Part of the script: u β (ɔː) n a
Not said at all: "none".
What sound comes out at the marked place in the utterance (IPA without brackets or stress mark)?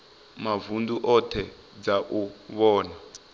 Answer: ɔː